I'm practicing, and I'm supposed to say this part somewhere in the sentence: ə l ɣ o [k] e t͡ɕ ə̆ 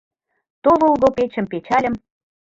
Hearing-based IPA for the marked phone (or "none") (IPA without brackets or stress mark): p